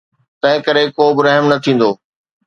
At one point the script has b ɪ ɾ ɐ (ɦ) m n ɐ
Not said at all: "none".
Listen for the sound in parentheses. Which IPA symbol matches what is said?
ɦ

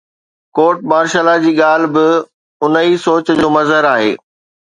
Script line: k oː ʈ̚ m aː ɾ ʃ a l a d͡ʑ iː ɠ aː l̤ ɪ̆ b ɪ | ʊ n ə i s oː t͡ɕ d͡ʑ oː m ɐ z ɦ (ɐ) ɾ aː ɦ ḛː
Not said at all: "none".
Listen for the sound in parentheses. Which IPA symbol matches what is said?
ə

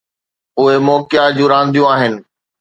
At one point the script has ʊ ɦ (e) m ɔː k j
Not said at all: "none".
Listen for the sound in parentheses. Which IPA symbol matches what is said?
e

